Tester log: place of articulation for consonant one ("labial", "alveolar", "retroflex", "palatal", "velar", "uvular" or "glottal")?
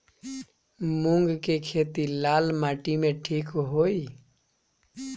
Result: labial